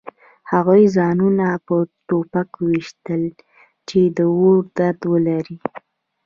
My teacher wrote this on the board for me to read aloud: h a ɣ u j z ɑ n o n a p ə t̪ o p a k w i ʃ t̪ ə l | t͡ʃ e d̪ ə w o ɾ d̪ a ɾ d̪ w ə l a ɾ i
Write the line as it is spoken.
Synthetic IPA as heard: h a ɣ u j z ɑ n u n a p ə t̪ o p a k w i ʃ t̪ ə l | t͡ʃ e d̪ ə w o ɾ d̪ a ɾ d̪ w ə l a ɾ i